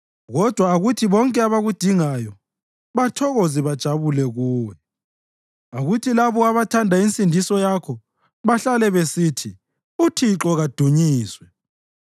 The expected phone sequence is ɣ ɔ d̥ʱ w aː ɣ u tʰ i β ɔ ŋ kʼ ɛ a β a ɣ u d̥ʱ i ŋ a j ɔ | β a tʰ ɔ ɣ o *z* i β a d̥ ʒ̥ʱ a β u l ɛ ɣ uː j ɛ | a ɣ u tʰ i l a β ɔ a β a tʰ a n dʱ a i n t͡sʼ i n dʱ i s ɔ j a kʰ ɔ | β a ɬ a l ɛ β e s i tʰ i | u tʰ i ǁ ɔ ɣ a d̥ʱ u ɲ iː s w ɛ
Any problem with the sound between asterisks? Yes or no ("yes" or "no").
no